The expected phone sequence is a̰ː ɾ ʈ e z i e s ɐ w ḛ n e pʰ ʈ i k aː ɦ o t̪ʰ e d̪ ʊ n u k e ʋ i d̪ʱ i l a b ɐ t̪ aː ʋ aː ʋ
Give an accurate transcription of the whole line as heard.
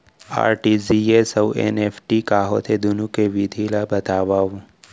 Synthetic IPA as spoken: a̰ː ɾ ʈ i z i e s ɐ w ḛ n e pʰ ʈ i k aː ɦ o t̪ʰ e d̪ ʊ n u k e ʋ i d̪ʱ i l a b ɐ t̪ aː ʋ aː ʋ